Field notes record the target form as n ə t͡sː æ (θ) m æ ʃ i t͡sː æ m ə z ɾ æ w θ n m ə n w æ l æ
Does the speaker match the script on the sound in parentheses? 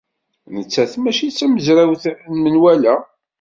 yes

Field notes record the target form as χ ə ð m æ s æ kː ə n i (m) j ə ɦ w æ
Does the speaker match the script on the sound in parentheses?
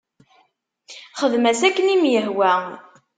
yes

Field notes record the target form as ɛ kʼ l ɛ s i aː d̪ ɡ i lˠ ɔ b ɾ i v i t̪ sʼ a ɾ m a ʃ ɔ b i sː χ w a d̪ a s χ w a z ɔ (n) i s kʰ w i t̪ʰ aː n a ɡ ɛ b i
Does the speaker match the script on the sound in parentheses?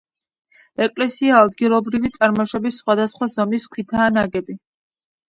no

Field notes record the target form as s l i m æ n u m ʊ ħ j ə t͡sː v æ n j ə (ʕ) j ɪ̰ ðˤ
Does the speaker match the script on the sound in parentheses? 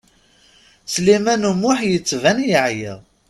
yes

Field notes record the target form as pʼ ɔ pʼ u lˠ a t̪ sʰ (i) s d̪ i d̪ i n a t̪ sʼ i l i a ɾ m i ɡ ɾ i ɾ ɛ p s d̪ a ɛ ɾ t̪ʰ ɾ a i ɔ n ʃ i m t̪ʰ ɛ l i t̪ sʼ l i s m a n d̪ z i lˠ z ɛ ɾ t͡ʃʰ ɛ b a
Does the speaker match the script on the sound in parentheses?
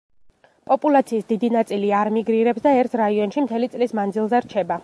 no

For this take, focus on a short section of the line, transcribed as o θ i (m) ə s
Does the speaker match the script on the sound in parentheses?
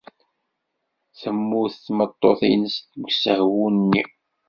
no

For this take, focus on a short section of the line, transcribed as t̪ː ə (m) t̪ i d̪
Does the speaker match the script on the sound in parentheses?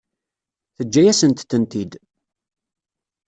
no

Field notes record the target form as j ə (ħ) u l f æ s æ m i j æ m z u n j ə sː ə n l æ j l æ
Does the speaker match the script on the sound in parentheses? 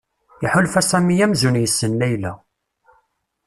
yes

